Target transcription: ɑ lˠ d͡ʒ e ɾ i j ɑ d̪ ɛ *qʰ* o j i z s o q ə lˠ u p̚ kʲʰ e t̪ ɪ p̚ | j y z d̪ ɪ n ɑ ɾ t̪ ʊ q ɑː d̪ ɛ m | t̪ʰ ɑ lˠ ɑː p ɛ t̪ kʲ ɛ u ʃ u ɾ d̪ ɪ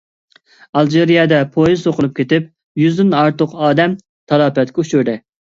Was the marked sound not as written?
yes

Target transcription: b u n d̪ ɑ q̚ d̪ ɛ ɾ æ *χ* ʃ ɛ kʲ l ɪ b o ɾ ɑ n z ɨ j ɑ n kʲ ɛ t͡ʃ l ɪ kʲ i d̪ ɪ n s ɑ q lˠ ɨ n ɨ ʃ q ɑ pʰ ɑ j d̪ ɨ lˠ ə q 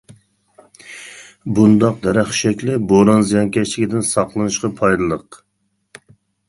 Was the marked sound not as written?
no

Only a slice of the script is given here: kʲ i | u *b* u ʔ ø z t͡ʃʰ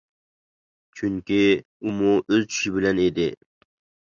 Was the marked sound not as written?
yes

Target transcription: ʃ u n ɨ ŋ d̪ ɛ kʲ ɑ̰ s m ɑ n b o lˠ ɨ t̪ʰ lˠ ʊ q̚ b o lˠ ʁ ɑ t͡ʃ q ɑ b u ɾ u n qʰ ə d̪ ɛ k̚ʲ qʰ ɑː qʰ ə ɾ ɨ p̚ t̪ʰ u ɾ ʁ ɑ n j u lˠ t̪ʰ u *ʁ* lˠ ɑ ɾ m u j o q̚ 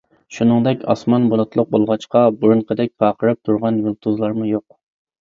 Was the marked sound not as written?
yes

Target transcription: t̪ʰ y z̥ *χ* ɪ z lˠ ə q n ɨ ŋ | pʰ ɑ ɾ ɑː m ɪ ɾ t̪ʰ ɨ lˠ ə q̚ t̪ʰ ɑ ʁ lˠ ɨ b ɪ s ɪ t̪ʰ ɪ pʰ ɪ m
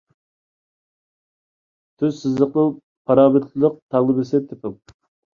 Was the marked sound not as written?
yes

